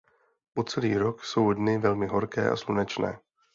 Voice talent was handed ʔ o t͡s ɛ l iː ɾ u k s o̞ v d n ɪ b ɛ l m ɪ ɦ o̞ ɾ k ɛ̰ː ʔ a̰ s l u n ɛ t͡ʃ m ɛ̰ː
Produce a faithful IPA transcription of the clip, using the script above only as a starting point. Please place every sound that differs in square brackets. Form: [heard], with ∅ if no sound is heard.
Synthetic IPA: [p] o t͡s ɛ l iː ɾ [o] k s o̞ [w] d n ɪ [v] ɛ l m ɪ ɦ o̞ ɾ k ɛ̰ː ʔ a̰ s l u n ɛ t͡ʃ [n] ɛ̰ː